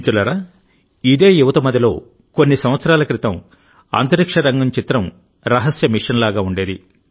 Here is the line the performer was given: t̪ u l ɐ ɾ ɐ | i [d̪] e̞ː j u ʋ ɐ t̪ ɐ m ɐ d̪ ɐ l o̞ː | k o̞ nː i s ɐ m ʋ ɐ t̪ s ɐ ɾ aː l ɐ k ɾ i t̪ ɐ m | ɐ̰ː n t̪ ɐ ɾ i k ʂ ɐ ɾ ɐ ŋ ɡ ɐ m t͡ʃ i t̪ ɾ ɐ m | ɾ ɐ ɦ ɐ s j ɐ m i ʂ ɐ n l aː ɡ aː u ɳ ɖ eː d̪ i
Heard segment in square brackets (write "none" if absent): d̪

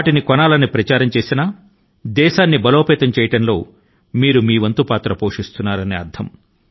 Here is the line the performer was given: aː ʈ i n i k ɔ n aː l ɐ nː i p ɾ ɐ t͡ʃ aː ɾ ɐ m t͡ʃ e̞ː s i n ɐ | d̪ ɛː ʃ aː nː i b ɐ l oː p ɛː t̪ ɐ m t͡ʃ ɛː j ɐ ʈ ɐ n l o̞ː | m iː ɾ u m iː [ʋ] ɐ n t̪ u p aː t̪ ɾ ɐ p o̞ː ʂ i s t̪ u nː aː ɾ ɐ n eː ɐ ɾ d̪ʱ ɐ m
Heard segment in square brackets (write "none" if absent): ʋ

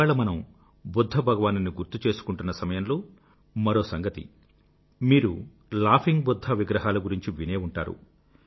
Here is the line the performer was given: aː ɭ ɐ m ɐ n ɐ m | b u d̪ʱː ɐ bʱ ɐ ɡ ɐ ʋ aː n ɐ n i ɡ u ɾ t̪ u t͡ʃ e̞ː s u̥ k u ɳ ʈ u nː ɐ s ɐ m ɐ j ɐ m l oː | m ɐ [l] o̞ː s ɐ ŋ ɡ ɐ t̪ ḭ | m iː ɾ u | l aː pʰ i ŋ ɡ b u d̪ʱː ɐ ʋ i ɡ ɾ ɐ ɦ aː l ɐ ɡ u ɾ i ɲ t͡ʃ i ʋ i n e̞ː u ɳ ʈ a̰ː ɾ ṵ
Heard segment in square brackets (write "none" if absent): ɾ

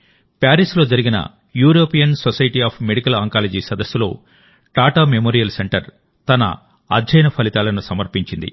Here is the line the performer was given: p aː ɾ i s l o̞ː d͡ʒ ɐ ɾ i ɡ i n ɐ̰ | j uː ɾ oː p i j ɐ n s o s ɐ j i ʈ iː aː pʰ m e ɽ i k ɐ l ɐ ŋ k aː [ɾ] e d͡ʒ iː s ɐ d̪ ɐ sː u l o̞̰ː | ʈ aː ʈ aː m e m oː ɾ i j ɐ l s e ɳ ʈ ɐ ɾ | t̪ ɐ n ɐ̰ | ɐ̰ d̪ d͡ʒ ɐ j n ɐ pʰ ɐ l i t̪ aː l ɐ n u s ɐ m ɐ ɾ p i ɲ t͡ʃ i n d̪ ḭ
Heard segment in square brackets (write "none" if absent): l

